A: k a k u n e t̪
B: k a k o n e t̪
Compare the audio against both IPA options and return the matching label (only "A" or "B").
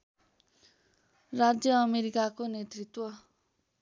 B